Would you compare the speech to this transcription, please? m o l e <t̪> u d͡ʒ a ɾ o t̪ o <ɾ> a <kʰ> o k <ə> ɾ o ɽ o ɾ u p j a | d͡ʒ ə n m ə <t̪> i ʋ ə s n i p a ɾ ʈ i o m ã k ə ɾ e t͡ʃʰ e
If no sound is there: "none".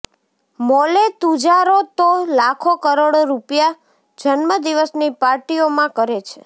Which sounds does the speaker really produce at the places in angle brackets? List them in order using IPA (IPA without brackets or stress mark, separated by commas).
t̪, l, kʰ, ə, d̪